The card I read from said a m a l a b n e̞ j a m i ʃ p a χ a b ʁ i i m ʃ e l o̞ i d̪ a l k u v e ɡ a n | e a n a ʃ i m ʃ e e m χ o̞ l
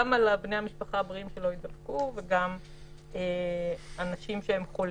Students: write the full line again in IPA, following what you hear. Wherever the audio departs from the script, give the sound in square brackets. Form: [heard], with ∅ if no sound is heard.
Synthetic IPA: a m a l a b n e̞ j a m i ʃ p a χ a b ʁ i i m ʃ e l o̞ i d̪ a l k u v e ɡ a [m] | e a n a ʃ i m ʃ e e m χ o̞ l